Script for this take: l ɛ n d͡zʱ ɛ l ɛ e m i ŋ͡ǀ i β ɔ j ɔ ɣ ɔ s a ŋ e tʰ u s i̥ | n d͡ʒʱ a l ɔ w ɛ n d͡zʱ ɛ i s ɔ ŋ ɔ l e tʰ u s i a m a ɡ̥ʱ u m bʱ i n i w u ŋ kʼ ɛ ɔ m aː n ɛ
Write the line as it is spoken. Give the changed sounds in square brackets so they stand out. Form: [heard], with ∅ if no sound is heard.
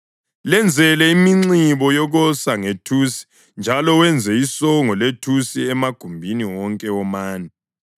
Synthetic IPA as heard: l ɛ n d͡zʱ ɛ l ɛ [i] m i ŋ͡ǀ i β ɔ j ɔ ɣ ɔ s a ŋ e tʰ u s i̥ | n d͡ʒʱ a l ɔ w ɛ n d͡zʱ ɛ i s ɔ ŋ ɔ l e tʰ u s i [ɛ] m a ɡ̥ʱ u m bʱ i n i w [ɔ] ŋ kʼ ɛ ɔ m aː n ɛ